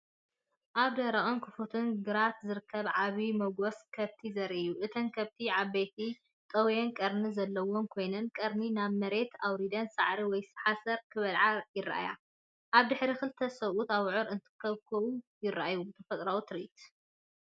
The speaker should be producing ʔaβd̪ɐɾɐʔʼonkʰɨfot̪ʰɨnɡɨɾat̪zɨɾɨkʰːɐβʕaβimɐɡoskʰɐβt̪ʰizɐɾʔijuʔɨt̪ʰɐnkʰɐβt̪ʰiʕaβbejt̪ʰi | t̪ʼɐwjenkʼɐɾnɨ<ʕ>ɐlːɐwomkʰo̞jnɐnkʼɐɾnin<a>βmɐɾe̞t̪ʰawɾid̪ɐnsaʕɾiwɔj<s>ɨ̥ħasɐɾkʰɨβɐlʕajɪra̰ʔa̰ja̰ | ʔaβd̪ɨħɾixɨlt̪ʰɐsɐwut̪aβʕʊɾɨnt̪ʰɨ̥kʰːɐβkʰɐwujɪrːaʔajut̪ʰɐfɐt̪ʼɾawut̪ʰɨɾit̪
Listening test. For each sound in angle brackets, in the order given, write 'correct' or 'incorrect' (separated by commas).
incorrect, correct, correct